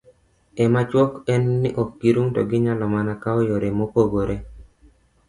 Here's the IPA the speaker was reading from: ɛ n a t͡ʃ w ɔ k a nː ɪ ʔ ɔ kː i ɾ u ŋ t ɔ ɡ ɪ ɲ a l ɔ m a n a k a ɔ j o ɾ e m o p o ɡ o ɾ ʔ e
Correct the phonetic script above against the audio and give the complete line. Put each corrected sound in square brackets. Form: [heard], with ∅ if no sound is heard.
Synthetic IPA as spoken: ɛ [m] a t͡ʃ w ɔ k [ɛ] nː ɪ ʔ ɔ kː i ɾ u ŋ t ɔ ɡ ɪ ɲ a l ɔ m a n a k a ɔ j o ɾ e m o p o ɡ o ɾ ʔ e